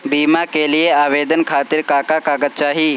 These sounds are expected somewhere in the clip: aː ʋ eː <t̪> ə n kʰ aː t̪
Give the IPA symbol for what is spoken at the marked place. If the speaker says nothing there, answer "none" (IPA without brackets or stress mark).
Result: d̪